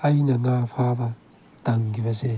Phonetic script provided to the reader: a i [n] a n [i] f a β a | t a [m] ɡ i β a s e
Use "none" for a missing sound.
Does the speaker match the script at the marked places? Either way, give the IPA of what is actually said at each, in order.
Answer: n, a, ŋ

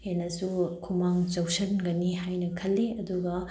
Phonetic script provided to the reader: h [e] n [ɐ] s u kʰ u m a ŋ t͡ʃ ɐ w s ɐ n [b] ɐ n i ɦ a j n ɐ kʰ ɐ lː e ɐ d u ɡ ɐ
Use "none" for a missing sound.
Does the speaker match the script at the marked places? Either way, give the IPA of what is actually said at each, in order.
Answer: e, ɐ, ɡ

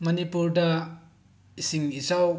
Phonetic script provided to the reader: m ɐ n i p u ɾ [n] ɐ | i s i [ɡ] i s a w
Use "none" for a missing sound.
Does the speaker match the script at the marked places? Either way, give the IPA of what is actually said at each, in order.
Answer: d, ŋ

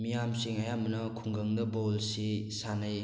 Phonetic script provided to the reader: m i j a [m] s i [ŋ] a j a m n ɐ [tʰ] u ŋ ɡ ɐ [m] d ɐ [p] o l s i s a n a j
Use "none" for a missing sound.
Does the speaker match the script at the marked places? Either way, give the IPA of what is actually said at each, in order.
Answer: m, ŋ, kʰ, ŋ, b

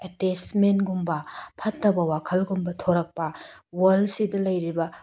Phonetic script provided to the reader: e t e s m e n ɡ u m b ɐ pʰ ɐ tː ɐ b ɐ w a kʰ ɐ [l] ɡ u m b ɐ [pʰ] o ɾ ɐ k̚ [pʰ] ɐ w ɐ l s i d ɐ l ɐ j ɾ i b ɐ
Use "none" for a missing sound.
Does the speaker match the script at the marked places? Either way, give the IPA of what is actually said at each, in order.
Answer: l, tʰ, p

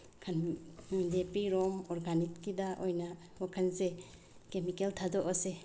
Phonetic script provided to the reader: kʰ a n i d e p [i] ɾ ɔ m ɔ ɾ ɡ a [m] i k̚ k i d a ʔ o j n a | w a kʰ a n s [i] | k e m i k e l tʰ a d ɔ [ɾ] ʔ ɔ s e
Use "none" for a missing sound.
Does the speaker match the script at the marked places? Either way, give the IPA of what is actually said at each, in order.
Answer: i, n, e, none

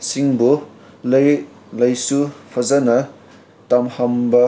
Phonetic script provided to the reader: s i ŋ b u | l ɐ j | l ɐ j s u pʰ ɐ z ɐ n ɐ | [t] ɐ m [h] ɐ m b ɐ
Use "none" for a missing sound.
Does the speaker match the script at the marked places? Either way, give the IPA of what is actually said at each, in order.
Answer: t, h

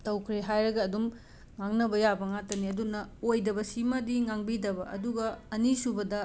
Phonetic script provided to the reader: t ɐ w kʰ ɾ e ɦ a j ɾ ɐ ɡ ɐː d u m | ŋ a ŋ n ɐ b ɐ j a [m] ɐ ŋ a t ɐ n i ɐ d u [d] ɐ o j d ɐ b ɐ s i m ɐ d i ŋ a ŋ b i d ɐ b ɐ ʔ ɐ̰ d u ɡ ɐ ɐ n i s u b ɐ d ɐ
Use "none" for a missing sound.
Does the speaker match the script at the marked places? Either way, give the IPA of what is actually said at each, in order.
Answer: b, n

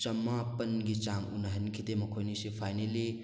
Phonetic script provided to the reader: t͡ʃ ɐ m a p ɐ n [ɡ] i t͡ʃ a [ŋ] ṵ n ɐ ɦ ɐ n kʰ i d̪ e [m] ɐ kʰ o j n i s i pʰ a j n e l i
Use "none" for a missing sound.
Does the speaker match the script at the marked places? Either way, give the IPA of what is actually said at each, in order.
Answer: ɡ, ŋ, m

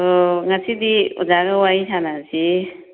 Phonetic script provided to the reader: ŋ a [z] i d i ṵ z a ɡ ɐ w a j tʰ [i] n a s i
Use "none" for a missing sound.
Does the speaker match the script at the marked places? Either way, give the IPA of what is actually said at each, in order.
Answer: s, a

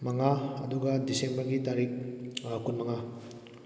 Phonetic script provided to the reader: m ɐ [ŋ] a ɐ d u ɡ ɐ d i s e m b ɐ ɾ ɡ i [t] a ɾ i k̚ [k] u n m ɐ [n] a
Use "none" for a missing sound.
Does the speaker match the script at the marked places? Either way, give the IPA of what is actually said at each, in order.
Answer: ŋ, t, k, ŋ

